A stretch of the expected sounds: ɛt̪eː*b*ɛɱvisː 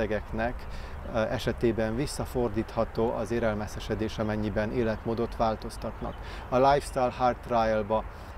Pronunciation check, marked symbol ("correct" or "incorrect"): correct